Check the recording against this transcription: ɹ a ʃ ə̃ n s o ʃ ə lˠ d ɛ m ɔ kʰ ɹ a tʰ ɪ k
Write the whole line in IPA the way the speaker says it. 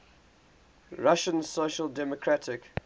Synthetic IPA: ɹ a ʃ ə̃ n s o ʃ ə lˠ d ɛ m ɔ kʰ ɹ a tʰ ɪ k